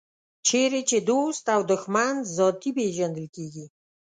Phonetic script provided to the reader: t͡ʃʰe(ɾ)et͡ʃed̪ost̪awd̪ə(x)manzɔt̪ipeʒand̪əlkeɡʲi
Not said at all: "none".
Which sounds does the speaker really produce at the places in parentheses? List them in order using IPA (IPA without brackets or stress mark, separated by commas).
ɾ, x